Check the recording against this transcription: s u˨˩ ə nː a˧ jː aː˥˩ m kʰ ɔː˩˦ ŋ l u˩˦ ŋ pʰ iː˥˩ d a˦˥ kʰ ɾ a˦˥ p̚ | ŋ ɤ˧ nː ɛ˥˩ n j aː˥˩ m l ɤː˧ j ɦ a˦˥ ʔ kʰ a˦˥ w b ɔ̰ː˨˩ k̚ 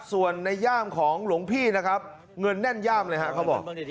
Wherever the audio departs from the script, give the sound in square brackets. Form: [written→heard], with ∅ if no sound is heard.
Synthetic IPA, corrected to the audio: s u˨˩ ə nː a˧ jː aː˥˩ m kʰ ɔː˩˦ ŋ l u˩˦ ŋ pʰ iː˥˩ [d→n] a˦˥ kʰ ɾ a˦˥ p̚ | ŋ ɤ˧ nː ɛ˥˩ n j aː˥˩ m l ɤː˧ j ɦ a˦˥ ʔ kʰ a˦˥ w b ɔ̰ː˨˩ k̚

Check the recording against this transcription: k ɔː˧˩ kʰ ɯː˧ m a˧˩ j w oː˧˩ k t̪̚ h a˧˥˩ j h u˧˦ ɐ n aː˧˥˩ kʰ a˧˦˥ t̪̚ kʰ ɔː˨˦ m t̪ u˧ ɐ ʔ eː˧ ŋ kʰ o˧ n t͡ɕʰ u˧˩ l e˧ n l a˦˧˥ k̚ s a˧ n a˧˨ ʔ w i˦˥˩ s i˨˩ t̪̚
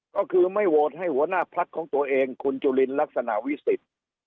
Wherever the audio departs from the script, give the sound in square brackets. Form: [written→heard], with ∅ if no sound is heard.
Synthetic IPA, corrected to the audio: k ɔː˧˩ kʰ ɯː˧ m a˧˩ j w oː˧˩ [k→∅] t̪̚ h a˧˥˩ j h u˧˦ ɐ n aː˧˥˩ [kʰ→pʰ] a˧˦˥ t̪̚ kʰ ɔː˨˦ [m→ŋ] t̪ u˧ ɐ ʔ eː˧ ŋ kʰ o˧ n [t͡ɕʰ→t͡ɕ] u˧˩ l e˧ n l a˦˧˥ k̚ s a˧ n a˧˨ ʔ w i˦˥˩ s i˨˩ t̪̚

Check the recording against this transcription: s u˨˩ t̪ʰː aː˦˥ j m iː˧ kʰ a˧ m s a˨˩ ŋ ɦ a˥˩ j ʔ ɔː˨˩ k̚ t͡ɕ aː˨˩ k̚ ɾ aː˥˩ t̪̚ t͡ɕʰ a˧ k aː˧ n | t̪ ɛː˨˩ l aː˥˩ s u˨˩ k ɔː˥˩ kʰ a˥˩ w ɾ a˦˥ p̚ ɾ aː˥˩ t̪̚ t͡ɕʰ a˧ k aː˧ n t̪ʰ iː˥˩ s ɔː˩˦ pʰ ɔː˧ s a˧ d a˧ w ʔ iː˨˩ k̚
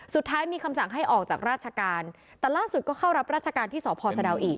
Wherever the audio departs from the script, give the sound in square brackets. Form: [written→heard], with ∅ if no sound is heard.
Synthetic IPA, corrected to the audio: s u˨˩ t̪ʰː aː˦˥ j m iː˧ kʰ a˧ m s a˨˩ ŋ ɦ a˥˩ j ʔ ɔː˨˩ k̚ t͡ɕ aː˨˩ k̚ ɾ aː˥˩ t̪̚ t͡ɕʰ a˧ k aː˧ n | t̪ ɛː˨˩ l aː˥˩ s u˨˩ k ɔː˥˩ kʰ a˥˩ w ɾ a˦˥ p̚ ɾ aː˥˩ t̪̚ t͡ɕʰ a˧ k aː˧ n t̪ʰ iː˥˩ s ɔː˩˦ pʰ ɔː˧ s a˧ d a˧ w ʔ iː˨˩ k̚

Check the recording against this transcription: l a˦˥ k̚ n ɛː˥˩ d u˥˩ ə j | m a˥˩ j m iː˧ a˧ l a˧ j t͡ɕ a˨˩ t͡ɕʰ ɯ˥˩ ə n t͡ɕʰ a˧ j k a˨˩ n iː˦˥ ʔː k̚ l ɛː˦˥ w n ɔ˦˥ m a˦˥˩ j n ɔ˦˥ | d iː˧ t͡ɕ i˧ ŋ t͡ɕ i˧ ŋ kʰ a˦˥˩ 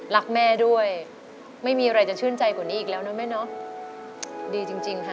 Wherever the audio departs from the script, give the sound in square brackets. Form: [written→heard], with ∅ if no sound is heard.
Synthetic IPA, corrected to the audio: l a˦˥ k̚ [n→m] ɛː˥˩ d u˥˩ ə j | m a˥˩ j m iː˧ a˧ [l→ɾ] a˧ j t͡ɕ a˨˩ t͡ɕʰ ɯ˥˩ ə n [t͡ɕʰ→t͡ɕ] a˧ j k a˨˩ n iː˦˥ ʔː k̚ l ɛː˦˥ w n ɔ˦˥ m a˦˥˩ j n ɔ˦˥ | d iː˧ t͡ɕ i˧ ŋ t͡ɕ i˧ ŋ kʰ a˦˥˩

